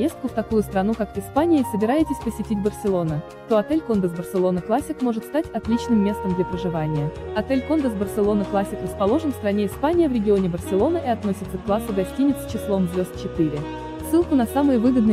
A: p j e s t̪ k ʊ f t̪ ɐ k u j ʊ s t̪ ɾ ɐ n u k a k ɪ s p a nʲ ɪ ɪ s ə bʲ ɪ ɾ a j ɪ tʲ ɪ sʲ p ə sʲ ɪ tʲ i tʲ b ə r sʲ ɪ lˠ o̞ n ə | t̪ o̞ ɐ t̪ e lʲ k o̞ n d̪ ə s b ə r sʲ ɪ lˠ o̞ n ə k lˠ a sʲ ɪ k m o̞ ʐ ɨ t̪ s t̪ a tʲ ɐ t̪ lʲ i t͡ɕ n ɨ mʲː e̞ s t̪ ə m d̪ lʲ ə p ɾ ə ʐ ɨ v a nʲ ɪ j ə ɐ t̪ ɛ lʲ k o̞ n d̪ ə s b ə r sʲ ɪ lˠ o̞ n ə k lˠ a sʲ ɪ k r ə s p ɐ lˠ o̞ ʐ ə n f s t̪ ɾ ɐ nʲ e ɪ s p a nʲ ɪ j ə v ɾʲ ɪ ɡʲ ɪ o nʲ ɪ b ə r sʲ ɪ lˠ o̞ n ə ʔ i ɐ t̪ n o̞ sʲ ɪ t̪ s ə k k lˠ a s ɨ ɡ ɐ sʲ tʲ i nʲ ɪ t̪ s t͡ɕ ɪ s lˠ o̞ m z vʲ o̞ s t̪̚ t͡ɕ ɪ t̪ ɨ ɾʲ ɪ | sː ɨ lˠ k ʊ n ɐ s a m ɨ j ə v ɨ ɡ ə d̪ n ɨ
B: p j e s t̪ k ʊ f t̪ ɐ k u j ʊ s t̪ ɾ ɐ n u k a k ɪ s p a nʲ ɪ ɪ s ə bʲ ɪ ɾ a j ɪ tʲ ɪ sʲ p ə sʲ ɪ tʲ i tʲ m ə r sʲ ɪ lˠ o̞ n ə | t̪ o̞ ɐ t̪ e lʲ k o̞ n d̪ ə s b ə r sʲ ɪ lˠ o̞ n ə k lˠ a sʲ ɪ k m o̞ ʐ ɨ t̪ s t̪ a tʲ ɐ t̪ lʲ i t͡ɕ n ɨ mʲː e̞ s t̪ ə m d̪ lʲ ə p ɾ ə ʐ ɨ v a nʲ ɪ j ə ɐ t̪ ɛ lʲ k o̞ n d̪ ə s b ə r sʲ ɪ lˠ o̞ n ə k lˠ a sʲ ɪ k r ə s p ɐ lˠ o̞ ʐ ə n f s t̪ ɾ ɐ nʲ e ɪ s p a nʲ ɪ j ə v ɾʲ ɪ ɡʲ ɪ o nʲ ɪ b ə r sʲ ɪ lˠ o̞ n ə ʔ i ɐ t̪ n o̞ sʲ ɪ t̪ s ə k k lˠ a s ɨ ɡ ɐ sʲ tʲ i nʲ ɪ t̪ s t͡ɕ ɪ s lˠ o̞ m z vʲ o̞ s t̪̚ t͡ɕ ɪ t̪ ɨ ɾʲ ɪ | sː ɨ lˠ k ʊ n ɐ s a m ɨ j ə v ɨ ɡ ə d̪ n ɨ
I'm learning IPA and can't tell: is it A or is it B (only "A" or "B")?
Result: A